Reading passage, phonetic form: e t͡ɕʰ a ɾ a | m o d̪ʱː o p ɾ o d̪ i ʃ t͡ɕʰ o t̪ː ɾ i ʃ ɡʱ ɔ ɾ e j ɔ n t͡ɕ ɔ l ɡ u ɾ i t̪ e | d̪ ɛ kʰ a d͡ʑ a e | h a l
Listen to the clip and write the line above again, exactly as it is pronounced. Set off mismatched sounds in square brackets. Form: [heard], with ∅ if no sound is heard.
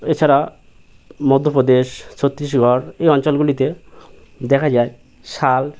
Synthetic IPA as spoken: e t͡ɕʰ a ɾ a | m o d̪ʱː o p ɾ o d̪ [e] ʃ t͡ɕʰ o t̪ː ɾ i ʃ ɡʱ ɔ ɾ e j ɔ n t͡ɕ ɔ l ɡ u [l] i t̪ e | d̪ ɛ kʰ a d͡ʑ a e | [ʃ] a l